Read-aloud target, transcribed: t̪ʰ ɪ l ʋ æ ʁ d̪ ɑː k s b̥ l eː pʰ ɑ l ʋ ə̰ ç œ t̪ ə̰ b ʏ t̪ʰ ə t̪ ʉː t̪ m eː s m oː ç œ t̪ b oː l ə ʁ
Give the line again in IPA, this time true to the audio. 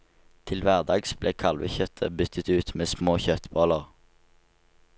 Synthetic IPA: t̪ʰ ɪ l ʋ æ ʁ d̪ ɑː ɡ s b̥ l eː kʰ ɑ l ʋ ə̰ ç œ t̪ʰ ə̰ b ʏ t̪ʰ ə t̪ ʉː t̪ m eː s m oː ç œ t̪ b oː l ə ʁ